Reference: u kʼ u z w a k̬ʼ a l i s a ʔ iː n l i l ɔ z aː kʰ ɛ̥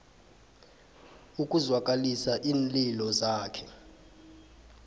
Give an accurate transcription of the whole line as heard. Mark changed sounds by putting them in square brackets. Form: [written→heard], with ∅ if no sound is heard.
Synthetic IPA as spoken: u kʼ u z w a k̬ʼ a l i s a ʔ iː n l i l ɔ z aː kʰ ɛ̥